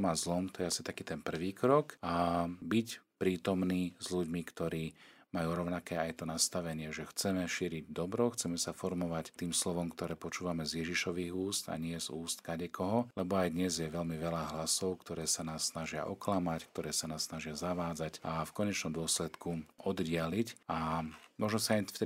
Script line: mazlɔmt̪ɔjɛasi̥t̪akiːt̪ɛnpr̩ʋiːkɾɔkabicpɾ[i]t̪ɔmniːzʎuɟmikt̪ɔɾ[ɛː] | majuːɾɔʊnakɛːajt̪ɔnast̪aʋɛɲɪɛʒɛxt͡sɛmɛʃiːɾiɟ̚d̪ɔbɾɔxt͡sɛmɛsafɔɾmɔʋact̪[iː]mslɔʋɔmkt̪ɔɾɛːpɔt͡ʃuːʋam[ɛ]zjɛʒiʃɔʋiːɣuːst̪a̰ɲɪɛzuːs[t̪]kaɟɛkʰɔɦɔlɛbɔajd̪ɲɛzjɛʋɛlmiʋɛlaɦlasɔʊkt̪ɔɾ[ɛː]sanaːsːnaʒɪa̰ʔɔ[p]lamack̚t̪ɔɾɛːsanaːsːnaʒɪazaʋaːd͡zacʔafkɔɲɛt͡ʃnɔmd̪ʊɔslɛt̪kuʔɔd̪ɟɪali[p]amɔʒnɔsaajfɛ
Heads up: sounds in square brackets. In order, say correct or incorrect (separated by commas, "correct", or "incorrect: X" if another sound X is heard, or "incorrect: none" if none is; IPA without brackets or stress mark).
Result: incorrect: iː, incorrect: iː, correct, correct, correct, correct, incorrect: k, incorrect: c